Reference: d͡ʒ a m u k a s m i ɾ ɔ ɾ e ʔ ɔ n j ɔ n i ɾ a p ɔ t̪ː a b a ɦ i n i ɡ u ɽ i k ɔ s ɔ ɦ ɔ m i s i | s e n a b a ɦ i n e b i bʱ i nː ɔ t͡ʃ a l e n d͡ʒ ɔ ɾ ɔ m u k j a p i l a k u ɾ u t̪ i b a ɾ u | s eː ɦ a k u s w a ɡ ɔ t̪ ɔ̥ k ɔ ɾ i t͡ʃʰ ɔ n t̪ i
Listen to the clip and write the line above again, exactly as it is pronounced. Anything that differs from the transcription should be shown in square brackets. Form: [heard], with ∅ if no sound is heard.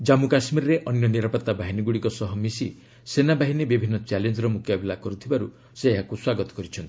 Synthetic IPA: d͡ʒ a m u k a s m i ɾ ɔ ɾ e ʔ ɔ n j ɔ n i ɾ a p ɔ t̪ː a b a ɦ i n i ɡ u ɽ i k ɔ s ɔ ɦ ɔ m i s i | s e n a b a ɦ i n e b i bʱ i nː ɔ t͡ʃ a l e n d͡ʒ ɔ ɾ ɔ m u k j a [b] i l a k [ɔ] ɾ u [t̪ʰ] i b a ɾ u | s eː ɦ a k u s w a ɡ ɔ t̪ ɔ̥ k ɔ ɾ i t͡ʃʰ ɔ n t̪ i